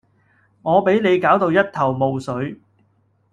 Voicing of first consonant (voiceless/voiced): voiced